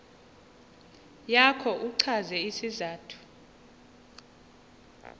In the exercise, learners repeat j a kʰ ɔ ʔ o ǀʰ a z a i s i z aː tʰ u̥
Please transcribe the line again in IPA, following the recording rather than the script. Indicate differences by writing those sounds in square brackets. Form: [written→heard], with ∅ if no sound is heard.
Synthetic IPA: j a kʰ ɔ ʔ [o→u] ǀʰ a z [a→ɛ] i s i z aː tʰ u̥